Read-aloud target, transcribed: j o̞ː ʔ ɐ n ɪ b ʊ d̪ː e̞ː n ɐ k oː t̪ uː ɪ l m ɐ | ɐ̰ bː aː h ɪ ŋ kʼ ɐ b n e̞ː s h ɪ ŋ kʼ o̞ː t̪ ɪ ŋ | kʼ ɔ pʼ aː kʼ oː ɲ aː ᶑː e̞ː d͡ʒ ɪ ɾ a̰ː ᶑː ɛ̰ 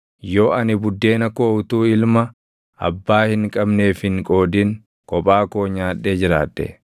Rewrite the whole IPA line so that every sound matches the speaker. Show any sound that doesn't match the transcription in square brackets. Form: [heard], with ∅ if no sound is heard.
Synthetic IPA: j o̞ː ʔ ɐ n ɪ b ʊ d̪ː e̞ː n ɐ k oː t̪ uː ɪ l m ɐ | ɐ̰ bː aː h ɪ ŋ kʼ ɐ b n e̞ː [f] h ɪ ŋ kʼ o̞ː [d̪] ɪ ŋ | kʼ ɔ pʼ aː [k] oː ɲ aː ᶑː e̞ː d͡ʒ ɪ ɾ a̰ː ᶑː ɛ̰